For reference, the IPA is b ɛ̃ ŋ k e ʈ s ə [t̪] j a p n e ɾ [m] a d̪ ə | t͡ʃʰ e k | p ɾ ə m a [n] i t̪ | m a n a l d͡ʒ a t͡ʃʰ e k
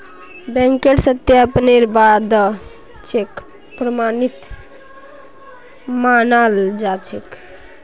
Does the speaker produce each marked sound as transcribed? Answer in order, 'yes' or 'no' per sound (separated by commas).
yes, no, yes